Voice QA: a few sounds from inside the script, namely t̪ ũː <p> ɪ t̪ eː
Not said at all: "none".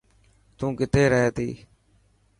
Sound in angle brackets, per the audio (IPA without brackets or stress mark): k